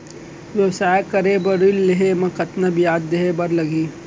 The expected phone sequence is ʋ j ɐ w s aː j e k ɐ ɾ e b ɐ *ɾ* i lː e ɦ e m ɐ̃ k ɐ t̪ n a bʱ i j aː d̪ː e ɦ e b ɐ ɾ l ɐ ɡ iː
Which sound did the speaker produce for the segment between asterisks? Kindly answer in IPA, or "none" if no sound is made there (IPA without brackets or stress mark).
ɾ